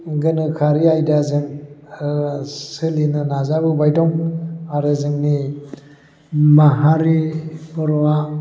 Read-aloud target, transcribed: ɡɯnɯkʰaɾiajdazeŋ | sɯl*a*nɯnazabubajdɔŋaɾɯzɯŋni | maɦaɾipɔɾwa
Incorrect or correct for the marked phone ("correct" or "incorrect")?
incorrect